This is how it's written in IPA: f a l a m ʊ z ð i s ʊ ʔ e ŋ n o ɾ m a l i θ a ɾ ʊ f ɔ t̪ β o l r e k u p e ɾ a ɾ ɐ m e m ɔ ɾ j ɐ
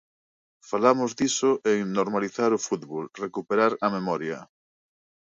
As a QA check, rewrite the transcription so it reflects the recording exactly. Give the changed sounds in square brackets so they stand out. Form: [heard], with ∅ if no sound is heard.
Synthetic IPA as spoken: f a l a m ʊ z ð i s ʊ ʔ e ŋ n o ɾ m a l i θ a ɾ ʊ f [u] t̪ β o l r e k u p e ɾ a ɾ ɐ m e m ɔ ɾ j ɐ